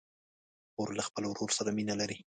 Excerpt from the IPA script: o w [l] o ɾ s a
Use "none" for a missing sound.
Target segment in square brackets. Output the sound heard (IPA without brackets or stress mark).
ɾ